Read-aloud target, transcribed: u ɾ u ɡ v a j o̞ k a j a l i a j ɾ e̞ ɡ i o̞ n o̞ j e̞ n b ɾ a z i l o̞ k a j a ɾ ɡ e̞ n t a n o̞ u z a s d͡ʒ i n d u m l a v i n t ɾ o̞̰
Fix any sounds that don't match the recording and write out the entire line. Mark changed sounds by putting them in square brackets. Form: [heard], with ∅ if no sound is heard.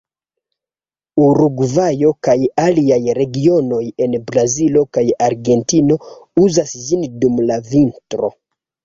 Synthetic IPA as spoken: u ɾ u ɡ v a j o̞ k a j a l i a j ɾ e̞ ɡ i o̞ n o̞ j e̞ n b ɾ a z i l o̞ k a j a ɾ ɡ e̞ n t [i] n o̞ u z a s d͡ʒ i n d u m l a v i n t ɾ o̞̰